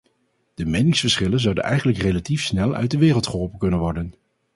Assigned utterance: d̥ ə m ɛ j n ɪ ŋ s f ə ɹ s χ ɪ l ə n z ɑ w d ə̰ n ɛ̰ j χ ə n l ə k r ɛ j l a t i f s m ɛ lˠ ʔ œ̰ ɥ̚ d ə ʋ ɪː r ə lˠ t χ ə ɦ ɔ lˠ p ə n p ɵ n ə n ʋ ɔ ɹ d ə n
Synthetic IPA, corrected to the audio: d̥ ə m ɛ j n ɪ ŋ s f ə ɹ s χ ɪ l ə n z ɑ w d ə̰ n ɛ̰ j χ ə n l ə k r e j l a t i f s n ɛ lˠ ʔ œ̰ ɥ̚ d ə ʋ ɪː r ə lˠ t χ ə ɦ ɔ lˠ p ə n k ɵ n ə n ʋ ɔ ɹ d ə n